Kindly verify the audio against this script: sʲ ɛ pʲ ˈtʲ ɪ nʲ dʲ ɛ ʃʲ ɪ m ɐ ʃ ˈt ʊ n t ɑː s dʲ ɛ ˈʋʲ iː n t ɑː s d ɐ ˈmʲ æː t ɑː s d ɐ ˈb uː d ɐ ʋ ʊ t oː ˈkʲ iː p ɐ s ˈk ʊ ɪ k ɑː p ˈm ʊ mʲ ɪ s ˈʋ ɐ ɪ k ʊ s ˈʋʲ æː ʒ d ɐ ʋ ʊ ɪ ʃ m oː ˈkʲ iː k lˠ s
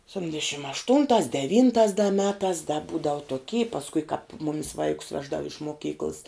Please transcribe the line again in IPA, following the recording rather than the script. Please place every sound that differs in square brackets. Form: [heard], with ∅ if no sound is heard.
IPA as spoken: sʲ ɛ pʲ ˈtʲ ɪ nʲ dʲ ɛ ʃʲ ɪ m ɐ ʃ ˈt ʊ n t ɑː s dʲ ɛ ˈʋʲ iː n t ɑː s d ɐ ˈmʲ æː t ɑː s d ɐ ˈb uː d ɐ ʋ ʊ t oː ˈkʲ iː p ɐ s ˈk ʊ ɪ k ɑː p ˈm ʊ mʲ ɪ s ˈʋ ɐ ɪ k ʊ s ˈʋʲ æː ʒ d ɐ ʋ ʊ ɪ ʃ m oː ˈkʲ iː k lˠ s